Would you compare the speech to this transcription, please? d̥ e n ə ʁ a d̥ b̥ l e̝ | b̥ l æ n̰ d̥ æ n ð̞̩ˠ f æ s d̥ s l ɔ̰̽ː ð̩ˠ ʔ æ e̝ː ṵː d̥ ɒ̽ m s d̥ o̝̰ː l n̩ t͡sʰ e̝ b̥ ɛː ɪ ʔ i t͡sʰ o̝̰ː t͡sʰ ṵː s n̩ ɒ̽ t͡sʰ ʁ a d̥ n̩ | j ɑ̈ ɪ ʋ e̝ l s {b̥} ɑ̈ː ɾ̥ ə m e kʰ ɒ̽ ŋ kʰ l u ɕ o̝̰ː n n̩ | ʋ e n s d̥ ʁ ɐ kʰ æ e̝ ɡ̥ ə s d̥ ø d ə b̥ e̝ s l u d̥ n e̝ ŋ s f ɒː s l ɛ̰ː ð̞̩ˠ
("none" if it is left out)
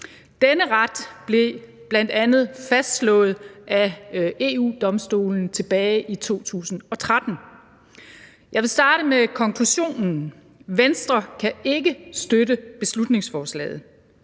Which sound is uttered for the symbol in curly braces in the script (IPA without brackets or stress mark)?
d̥